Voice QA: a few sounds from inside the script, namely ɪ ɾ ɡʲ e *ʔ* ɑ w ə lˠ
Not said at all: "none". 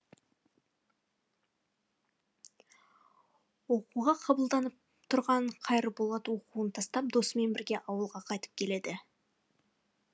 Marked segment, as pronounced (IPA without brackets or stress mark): ʔ